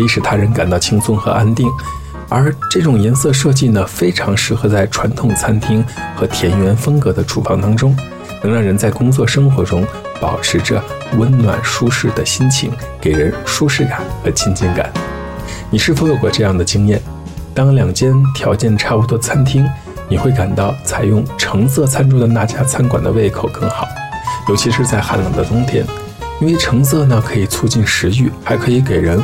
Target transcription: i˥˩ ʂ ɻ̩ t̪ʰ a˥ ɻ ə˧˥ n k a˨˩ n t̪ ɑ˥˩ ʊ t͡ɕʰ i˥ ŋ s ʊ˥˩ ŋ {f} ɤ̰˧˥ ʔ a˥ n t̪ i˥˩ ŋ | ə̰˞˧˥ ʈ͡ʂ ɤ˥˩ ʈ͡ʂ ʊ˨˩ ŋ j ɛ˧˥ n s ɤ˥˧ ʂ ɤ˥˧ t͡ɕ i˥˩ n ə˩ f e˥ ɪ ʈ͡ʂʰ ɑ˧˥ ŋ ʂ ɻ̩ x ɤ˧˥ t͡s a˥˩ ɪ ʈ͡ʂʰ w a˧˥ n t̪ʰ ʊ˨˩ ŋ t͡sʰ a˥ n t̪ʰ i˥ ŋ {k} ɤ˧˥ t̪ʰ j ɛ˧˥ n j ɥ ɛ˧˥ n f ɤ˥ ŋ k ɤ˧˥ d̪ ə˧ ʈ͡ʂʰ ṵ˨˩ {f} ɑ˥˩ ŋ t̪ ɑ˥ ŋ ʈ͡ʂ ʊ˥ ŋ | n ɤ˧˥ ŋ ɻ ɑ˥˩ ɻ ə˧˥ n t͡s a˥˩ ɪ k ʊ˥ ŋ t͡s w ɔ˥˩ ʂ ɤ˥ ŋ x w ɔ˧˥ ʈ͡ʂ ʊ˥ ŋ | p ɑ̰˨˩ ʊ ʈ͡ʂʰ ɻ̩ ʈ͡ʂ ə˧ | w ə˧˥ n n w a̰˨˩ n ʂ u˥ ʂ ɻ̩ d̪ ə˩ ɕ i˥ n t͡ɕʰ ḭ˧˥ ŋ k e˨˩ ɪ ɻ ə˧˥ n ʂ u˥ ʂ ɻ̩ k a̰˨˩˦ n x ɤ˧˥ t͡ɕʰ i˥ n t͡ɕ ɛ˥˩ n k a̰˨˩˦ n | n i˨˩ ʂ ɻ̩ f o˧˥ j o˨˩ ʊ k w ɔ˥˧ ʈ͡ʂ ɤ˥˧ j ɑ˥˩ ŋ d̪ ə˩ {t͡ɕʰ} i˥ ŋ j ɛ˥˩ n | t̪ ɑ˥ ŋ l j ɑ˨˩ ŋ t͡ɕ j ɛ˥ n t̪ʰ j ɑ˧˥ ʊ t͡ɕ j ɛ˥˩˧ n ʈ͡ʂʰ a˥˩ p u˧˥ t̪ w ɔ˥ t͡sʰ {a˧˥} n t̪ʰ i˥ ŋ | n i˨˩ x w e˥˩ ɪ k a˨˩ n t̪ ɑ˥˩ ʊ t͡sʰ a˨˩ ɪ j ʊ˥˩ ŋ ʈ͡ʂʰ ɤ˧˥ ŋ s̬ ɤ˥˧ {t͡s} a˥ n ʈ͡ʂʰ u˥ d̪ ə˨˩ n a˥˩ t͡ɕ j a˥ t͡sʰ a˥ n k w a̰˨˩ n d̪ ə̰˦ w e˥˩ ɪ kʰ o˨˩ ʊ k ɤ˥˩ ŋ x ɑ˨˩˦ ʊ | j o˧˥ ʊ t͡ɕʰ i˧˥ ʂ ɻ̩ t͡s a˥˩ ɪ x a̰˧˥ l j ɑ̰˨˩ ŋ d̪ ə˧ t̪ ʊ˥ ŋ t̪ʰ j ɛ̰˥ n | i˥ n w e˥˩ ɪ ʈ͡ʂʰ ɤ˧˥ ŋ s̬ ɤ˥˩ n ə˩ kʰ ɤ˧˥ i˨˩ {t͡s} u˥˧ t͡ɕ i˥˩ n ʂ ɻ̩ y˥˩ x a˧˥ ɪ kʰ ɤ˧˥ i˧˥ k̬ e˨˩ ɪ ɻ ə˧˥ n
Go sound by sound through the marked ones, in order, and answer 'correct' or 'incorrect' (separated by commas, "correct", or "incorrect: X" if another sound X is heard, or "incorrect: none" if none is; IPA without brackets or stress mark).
incorrect: x, incorrect: x, correct, incorrect: t͡ɕ, incorrect: a˥, incorrect: t͡sʰ, incorrect: t͡sʰ